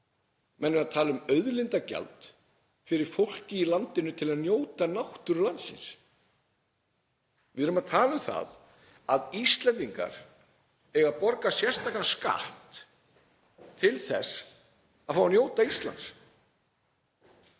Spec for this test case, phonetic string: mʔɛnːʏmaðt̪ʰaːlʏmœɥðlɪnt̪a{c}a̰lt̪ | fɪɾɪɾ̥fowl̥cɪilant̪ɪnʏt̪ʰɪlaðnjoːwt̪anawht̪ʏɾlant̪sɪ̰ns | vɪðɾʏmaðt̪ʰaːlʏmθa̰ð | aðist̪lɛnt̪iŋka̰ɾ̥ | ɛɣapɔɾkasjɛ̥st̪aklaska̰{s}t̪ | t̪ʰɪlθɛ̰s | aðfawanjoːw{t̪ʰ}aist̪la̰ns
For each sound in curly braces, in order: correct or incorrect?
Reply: correct, incorrect: h, incorrect: t̪

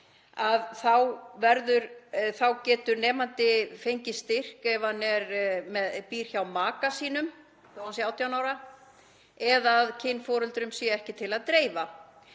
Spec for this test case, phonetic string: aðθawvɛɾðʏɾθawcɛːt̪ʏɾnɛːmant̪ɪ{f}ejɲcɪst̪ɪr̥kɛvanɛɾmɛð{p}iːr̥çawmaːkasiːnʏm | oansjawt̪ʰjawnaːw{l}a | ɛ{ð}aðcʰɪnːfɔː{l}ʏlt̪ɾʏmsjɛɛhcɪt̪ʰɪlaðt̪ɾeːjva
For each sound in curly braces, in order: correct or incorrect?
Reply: correct, correct, incorrect: ɾ, correct, incorrect: ɾ

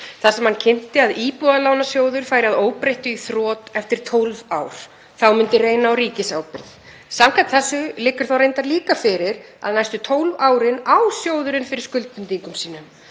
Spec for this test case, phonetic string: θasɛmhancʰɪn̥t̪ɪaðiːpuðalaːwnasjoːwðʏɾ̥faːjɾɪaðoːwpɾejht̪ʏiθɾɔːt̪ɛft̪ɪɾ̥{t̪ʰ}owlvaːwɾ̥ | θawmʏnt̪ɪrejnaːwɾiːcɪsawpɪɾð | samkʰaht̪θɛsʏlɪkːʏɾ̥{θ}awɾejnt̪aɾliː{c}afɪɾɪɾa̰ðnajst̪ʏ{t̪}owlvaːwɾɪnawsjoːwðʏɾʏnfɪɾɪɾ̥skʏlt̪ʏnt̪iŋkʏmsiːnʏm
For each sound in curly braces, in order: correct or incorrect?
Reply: correct, correct, incorrect: k, incorrect: t̪ʰ

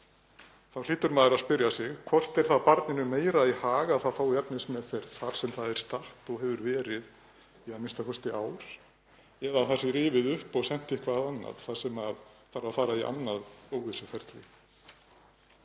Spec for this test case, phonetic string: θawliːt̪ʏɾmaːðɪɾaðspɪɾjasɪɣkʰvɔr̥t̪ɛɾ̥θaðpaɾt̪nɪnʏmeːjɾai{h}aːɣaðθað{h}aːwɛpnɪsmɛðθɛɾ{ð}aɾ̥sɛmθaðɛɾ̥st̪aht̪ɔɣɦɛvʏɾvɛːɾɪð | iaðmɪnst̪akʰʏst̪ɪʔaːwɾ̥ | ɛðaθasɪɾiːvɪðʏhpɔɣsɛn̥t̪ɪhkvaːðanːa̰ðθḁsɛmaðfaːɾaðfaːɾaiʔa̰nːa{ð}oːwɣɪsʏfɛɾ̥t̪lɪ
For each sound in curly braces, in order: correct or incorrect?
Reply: correct, incorrect: f, incorrect: θ, correct

